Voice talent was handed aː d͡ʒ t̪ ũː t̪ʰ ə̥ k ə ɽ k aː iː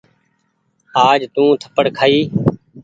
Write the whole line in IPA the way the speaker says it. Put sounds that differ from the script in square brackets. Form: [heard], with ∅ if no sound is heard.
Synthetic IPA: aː d͡ʒ t̪ ũː t̪ʰ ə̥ [p] ə ɽ [kʰ] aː iː